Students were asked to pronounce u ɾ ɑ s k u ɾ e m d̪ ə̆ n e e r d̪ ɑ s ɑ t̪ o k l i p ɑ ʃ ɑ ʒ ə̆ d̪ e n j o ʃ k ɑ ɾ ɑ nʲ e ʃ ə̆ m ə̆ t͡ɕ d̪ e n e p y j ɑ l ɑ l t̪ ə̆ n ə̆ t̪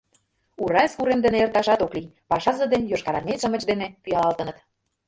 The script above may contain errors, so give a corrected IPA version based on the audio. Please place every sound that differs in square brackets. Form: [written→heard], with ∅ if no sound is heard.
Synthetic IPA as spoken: u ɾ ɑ s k u ɾ e m d̪ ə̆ n e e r [d̪→t̪] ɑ [s→ʃ] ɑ t̪ o k l i p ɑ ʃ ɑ [ʒ→z] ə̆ d̪ e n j o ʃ k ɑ ɾ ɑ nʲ e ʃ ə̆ m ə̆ t͡ɕ d̪ e n e p y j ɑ l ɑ l t̪ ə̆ n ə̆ t̪